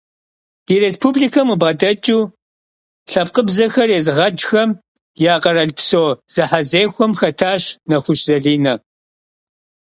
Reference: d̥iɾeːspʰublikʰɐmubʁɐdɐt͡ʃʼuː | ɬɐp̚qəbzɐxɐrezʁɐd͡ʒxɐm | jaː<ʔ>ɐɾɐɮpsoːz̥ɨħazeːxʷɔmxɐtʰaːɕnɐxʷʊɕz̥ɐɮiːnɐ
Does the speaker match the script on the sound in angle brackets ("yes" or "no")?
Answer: no